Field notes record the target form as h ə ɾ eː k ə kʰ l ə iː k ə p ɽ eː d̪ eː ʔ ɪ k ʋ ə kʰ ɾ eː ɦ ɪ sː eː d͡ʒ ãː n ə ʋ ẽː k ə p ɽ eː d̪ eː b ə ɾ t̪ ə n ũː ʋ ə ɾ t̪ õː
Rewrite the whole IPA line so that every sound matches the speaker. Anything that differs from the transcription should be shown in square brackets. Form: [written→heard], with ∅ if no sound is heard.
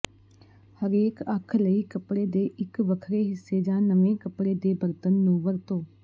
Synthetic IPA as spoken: h ə ɾ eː k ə kʰ l ə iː k ə p ɽ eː d̪ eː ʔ ɪ k ʋ ə kʰ ɾ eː ɦ ɪ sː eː d͡ʒ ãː n ə ʋ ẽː k ə p ɽ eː d̪ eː b ə ɾ t̪ ə [n→nː] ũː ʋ ə ɾ t̪ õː